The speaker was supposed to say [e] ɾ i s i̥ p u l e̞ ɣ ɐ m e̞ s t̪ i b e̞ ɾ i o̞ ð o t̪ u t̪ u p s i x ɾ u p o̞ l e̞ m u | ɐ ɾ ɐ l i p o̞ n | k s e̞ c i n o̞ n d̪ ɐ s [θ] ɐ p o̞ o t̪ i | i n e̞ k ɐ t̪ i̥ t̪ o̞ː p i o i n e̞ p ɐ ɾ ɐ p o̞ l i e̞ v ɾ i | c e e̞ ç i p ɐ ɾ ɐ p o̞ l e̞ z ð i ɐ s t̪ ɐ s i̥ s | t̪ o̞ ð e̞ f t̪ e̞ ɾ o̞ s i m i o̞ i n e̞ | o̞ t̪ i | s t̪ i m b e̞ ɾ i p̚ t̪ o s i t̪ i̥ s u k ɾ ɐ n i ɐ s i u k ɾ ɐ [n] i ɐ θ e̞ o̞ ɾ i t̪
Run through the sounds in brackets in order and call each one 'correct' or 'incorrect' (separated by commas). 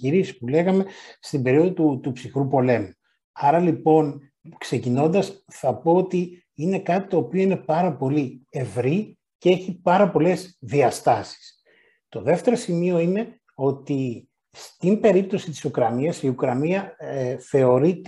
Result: incorrect, correct, correct